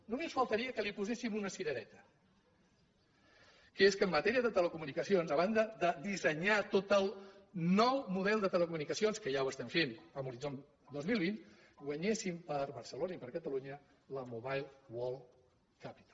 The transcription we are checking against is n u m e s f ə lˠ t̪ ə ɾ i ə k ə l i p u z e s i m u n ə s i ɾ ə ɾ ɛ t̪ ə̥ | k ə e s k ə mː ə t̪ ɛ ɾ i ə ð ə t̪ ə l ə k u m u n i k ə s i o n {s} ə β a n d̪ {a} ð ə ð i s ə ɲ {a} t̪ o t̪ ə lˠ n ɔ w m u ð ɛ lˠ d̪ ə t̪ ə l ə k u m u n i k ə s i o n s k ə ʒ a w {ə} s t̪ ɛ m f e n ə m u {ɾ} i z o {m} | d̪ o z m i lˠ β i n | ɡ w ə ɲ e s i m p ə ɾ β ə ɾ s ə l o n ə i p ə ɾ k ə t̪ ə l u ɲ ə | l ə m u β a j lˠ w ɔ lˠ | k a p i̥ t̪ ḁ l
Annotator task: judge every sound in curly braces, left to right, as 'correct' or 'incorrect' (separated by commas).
incorrect, incorrect, correct, correct, correct, incorrect